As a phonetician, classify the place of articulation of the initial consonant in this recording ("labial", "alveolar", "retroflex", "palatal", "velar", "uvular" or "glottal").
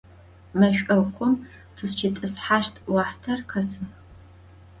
labial